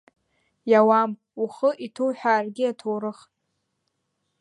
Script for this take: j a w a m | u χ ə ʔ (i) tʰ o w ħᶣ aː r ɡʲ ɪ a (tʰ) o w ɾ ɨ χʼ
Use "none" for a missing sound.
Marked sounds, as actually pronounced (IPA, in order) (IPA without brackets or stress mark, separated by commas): i, tʰ